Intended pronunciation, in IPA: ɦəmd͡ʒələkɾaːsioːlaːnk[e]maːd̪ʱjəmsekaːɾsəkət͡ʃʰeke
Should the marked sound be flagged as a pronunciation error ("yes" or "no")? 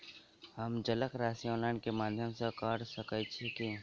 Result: no